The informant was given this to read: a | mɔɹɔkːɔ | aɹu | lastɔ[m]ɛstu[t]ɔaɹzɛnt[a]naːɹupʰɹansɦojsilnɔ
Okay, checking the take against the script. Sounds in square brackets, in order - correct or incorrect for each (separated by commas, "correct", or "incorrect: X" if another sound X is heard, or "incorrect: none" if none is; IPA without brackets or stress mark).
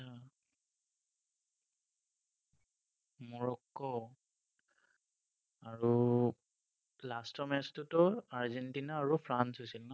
correct, correct, incorrect: i